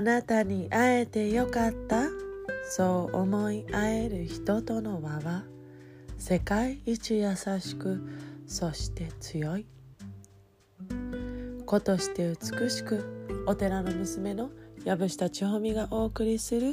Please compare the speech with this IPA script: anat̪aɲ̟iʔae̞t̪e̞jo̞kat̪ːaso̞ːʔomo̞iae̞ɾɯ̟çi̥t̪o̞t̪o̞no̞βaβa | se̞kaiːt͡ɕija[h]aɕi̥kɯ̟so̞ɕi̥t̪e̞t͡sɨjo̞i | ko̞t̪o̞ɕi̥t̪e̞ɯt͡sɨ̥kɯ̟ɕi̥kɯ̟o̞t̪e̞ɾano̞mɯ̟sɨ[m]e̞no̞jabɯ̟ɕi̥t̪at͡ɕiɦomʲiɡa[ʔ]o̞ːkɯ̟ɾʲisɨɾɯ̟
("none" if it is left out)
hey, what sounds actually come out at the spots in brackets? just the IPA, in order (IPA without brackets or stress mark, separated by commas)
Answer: s, m, ʔ